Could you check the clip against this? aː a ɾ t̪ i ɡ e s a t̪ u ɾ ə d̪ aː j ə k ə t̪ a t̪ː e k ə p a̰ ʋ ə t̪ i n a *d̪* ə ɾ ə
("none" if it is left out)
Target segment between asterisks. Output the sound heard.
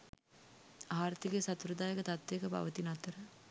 t̪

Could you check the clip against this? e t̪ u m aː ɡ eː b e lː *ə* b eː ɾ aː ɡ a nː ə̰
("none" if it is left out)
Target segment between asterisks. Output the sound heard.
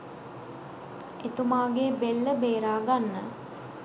ə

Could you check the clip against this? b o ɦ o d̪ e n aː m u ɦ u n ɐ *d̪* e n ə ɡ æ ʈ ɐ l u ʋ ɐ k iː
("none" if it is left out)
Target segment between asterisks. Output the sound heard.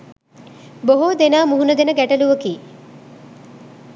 d̪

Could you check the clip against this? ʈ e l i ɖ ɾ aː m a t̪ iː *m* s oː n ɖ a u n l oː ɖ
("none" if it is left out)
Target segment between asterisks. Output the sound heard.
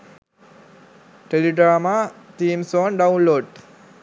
m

